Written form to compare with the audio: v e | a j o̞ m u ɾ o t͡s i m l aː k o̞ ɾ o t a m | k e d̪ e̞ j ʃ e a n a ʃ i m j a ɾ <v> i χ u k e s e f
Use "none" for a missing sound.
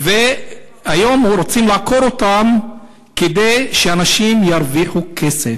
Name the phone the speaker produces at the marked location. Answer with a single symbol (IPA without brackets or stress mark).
v